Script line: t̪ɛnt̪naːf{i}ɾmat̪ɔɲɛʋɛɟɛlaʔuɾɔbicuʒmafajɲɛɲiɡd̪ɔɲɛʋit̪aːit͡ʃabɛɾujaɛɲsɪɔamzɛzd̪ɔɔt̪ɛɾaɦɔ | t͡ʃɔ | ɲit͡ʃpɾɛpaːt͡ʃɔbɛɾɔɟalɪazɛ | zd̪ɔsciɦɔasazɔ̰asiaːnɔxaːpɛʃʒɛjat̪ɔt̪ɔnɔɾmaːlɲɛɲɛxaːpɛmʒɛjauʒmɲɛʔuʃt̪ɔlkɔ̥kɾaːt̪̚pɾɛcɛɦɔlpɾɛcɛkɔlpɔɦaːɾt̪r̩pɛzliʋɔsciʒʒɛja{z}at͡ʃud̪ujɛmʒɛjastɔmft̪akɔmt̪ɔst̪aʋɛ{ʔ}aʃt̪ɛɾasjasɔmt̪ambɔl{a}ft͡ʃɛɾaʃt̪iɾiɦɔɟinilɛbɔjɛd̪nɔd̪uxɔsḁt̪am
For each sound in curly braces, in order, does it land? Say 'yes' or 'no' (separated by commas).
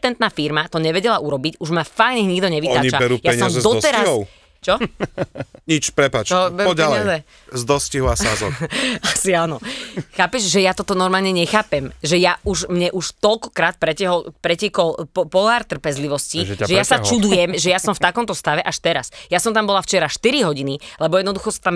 yes, no, yes, yes